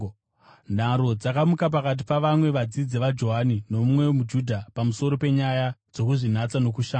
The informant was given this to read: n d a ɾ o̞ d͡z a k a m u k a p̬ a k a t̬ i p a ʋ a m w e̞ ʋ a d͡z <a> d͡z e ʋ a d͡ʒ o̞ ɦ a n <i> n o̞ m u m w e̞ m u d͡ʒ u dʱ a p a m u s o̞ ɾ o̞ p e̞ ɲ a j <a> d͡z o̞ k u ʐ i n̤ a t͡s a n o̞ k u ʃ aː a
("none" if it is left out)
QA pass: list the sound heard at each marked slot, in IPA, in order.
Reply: i, i, a

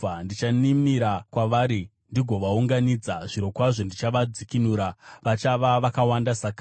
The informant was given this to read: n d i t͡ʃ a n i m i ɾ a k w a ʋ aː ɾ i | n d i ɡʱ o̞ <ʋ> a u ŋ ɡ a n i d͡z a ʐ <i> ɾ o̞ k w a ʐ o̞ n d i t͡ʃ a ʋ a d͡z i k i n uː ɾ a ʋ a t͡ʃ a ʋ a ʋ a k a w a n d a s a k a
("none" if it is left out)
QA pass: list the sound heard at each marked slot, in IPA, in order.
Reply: ʋ, i

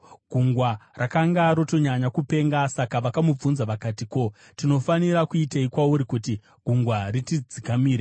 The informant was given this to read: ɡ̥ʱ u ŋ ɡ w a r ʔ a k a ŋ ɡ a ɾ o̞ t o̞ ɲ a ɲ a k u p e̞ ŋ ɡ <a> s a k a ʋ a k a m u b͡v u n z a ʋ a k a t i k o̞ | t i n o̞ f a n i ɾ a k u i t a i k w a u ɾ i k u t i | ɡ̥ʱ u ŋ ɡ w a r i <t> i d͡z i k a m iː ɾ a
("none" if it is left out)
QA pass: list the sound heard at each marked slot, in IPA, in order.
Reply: a, t

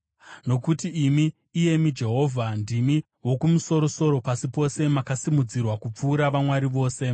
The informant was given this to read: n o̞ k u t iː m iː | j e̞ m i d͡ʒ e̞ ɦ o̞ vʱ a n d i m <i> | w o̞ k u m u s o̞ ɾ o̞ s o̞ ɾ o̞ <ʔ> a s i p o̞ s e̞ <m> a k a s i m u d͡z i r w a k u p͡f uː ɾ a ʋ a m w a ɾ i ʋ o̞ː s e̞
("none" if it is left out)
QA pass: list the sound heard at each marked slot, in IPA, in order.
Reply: i, p, m

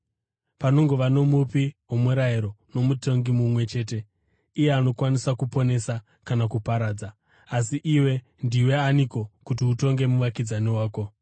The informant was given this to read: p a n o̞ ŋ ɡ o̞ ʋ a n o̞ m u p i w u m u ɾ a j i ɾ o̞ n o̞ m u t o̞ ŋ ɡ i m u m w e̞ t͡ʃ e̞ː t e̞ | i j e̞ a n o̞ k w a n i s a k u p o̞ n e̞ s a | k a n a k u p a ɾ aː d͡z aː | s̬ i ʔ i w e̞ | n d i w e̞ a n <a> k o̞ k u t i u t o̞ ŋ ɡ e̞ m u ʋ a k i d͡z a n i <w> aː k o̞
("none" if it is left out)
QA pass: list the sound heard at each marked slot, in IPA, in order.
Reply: i, w

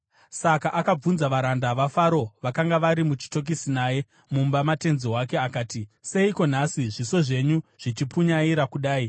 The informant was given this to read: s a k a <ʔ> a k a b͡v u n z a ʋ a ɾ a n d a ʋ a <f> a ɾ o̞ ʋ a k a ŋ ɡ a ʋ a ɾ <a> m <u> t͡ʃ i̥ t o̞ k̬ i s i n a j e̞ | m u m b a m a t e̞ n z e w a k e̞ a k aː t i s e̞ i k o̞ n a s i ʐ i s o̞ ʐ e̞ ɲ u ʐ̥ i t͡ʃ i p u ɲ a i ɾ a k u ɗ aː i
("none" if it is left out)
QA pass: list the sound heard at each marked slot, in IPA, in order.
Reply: ʔ, f, i, u

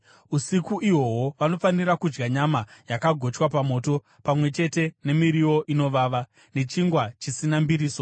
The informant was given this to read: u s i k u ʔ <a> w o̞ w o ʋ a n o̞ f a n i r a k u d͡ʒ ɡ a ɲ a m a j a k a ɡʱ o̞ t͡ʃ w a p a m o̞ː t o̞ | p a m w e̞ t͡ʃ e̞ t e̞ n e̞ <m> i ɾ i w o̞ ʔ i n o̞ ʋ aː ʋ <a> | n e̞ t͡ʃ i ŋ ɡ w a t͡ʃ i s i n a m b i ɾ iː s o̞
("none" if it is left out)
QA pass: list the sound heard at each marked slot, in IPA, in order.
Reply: i, m, a

